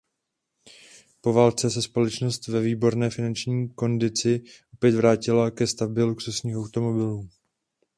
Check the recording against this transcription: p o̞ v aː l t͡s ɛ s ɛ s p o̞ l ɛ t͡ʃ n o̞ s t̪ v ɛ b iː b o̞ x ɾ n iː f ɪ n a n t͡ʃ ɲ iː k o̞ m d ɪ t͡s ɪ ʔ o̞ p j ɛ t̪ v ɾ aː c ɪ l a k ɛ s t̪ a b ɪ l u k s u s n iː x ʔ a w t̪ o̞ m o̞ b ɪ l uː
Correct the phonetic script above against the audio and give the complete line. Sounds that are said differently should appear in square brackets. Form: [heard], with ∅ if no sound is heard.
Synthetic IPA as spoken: p o̞ v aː l t͡s ɛ s ɛ s p o̞ l ɛ t͡ʃ n o̞ s t̪ v ɛ [v] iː b o̞ [∅] ɾ n [ɛː] f ɪ n a n t͡ʃ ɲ iː k o̞ [n] d ɪ t͡s ɪ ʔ o̞ p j ɛ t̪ v ɾ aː c ɪ l a k ɛ s t̪ a b ɪ l u k s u s [ɲ] iː x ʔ a w t̪ o̞ m o̞ b ɪ l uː